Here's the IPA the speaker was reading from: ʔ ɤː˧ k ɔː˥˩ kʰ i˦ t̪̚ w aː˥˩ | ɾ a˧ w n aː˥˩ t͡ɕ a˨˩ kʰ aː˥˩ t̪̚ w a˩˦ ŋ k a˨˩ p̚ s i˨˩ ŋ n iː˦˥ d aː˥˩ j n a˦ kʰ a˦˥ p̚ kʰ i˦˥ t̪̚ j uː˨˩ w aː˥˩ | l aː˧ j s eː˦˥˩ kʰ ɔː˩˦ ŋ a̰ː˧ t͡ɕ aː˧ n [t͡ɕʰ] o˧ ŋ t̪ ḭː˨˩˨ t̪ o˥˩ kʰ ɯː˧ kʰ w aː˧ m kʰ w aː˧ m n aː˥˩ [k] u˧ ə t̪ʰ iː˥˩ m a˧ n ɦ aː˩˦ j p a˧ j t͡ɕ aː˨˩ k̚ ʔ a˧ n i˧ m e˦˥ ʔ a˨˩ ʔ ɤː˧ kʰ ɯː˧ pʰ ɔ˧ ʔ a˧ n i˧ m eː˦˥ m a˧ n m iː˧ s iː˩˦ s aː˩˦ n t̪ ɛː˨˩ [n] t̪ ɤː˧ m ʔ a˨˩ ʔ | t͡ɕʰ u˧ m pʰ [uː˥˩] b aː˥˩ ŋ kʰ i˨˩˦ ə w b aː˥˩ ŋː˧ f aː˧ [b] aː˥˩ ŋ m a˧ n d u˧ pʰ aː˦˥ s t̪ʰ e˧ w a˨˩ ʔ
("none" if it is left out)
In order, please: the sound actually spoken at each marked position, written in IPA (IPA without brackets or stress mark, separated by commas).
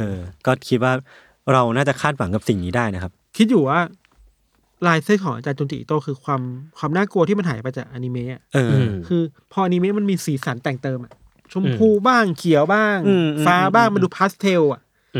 t͡ɕ, k, ŋ, uː˧, b